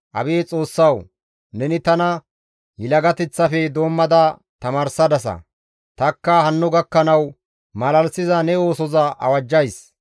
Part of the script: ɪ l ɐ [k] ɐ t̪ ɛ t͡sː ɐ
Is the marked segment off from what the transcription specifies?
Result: yes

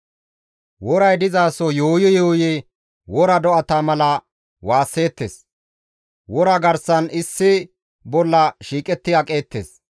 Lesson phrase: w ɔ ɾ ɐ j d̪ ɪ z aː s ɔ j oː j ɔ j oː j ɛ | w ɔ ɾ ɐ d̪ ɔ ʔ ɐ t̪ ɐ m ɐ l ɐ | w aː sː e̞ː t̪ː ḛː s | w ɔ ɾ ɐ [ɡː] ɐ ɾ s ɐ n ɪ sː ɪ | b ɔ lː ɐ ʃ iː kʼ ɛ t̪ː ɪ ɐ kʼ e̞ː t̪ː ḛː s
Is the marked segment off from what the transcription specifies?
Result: yes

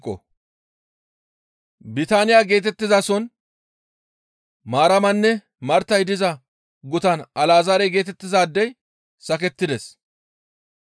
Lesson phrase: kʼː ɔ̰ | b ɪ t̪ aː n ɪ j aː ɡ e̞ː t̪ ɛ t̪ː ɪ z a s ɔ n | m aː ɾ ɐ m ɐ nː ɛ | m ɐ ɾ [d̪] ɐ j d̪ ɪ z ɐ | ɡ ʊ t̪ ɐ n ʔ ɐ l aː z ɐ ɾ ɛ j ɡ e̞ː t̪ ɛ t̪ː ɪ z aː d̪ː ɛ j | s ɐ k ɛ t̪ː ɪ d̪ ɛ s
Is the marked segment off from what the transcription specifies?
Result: yes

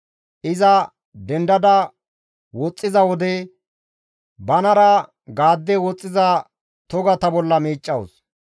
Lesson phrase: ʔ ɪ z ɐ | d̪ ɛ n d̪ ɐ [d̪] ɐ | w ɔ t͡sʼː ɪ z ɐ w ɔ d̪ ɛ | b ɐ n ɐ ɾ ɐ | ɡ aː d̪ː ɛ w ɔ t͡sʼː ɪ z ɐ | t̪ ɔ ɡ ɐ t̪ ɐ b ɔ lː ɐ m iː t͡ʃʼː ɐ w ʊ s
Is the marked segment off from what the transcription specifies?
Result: no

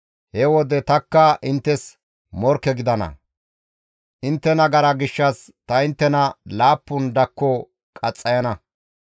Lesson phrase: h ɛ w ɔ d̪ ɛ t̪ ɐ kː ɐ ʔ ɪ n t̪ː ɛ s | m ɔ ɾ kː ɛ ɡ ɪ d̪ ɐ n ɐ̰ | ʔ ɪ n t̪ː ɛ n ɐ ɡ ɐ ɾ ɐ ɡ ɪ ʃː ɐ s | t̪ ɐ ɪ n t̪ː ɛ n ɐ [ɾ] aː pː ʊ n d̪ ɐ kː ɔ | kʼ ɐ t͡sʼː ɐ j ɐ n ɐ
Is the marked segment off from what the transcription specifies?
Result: yes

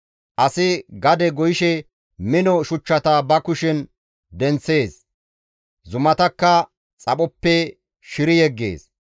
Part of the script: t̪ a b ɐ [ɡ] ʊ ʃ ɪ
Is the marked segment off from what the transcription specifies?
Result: yes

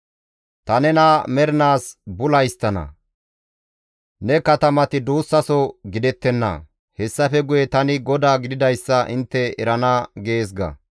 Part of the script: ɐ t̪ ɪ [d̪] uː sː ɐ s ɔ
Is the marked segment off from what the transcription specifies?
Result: no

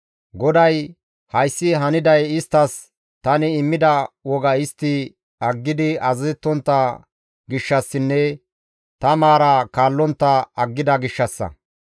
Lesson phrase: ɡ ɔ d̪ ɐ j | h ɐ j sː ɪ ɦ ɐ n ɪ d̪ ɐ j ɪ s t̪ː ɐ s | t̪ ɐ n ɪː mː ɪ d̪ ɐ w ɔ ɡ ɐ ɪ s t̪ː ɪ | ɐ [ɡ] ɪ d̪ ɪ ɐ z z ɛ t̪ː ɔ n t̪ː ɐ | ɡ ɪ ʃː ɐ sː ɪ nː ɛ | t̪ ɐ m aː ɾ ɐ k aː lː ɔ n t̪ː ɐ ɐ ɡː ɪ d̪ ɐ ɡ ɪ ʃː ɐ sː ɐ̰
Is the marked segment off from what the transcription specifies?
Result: yes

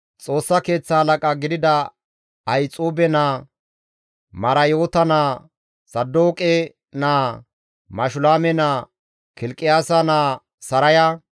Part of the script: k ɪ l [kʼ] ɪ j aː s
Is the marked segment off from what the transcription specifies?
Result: no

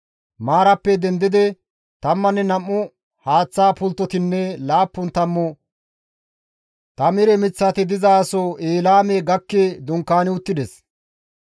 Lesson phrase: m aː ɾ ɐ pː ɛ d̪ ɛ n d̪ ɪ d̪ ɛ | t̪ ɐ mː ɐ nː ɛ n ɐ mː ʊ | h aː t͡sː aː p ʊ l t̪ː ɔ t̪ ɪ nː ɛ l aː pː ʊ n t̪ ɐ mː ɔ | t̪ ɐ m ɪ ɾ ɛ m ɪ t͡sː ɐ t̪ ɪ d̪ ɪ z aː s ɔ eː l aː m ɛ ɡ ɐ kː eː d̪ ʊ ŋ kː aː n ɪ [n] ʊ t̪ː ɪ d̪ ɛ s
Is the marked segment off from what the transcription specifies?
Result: yes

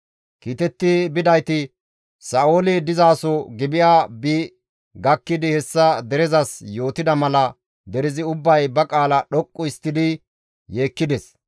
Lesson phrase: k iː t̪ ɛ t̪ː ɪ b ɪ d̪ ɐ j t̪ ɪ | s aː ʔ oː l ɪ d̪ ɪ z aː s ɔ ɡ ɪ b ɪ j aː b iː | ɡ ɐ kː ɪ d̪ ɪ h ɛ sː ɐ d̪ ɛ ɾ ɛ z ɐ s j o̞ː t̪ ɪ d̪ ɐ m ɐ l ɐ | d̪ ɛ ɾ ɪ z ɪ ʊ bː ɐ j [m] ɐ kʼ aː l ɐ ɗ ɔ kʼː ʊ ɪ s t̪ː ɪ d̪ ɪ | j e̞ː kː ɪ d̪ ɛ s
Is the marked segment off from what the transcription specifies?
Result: yes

